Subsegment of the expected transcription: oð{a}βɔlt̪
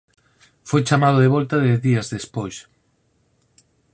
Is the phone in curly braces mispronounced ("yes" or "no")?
yes